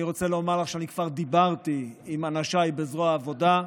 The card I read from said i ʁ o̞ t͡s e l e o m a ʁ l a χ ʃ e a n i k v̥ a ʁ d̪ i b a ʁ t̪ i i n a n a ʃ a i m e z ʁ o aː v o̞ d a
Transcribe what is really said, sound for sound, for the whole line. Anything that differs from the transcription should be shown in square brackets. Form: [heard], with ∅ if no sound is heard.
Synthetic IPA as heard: i ʁ o̞ t͡s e l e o m a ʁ l a χ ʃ e a n i k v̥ a ʁ d̪ i b a ʁ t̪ i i [m] a n a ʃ a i [b] e z ʁ o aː v o̞ d a